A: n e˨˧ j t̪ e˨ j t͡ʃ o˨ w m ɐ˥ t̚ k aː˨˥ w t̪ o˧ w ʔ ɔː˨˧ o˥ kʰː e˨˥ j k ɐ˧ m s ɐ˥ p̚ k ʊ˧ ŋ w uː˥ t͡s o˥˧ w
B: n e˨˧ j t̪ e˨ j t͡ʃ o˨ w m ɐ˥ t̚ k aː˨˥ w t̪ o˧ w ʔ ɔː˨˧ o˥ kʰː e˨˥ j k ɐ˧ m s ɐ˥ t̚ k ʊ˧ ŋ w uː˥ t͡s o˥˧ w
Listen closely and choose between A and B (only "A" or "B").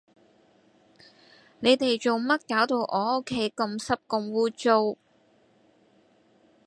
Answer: A